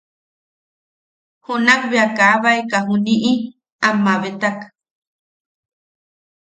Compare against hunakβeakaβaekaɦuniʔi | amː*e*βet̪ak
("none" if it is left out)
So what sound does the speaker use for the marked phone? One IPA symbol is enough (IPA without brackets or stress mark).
a